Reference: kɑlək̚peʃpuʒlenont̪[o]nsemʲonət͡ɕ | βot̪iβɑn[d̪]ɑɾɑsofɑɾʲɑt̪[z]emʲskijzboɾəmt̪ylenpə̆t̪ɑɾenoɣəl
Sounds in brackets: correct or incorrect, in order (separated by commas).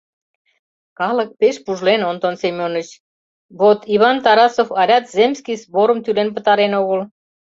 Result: correct, incorrect, correct